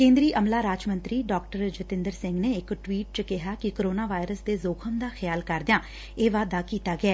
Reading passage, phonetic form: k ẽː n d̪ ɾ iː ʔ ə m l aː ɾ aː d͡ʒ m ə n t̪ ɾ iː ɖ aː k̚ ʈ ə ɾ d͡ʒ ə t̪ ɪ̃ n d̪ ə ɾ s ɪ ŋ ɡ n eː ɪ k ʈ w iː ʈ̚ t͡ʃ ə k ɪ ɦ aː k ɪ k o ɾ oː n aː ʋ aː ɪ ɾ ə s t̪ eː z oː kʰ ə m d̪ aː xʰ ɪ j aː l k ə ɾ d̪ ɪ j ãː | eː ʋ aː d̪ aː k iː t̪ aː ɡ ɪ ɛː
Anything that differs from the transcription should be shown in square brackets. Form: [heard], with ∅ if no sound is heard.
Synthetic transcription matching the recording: k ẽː n d̪ ɾ iː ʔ ə m l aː ɾ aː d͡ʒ m ə n t̪ ɾ iː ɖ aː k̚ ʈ ə ɾ d͡ʒ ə t̪ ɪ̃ n d̪ ə ɾ s ɪ ŋ ɡ n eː ɪ k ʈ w iː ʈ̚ t͡ʃ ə k ɪ ɦ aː k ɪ k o ɾ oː n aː ʋ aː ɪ ɾ ə s [d̪] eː z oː kʰ ə m d̪ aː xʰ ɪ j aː l k ə ɾ d̪ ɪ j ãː | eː ʋ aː d̪ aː k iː t̪ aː ɡ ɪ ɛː